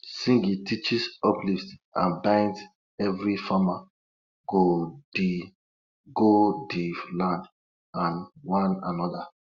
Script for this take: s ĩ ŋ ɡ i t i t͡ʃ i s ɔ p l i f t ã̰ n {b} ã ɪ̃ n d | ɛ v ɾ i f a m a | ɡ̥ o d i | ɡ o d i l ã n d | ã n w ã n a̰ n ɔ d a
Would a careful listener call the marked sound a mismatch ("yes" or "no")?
no